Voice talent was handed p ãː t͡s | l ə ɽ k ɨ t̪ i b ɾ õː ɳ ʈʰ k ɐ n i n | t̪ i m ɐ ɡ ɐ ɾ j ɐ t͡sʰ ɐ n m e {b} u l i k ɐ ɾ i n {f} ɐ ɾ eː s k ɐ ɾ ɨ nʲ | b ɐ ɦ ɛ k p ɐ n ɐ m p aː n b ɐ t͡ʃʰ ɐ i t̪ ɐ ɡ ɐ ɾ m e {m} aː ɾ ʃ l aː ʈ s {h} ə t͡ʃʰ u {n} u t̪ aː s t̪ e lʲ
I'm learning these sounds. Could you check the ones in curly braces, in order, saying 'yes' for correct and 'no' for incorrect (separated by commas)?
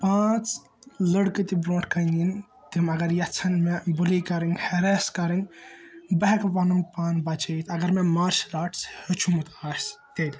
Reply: yes, no, yes, yes, no